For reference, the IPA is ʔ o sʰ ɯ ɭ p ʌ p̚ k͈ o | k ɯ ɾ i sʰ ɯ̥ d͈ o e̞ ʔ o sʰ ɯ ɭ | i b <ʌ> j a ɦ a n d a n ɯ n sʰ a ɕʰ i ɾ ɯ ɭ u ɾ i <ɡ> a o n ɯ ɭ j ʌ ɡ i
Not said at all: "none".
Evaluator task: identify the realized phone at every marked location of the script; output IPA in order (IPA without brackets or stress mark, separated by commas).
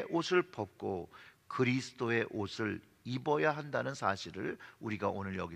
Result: ʌ, ɡ